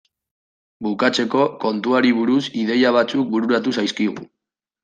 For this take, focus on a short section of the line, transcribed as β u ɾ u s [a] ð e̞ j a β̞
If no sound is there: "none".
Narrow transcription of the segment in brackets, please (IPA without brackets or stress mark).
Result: i